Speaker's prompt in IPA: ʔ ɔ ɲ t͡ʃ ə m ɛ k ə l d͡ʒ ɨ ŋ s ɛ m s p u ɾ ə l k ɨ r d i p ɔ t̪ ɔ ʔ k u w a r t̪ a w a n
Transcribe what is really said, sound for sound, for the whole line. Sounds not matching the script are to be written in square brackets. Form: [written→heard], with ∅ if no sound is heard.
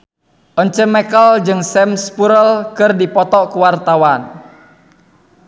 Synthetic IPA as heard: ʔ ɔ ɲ t͡ʃ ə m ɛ k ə l d͡ʒ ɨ ŋ s ɛ m s p u ɾ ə l k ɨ r d i p ɔ t̪ ɔ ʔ k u w a r t̪ a w a n